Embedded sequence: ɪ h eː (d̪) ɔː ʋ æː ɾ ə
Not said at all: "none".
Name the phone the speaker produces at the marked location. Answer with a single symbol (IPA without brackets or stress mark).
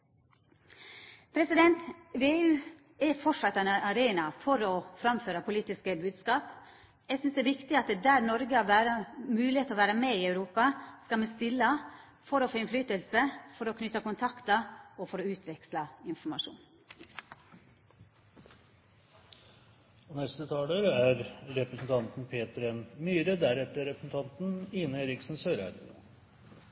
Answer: t̪